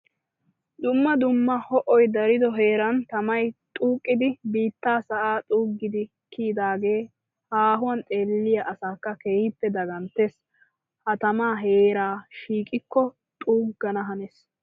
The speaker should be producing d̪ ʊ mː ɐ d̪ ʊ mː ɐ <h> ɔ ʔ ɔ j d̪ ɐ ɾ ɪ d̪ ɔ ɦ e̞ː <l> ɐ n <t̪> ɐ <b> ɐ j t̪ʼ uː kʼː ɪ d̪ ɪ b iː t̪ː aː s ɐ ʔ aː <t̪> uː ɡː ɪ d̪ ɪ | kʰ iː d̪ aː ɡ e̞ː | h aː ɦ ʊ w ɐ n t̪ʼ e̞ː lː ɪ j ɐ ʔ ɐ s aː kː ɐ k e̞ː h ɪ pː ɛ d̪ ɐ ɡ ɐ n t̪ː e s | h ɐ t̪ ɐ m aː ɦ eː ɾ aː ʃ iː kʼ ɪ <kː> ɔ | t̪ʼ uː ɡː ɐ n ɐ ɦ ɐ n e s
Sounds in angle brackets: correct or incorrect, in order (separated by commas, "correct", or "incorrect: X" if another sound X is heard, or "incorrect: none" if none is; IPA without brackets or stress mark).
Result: correct, incorrect: ɾ, correct, incorrect: m, incorrect: t̪ʼ, correct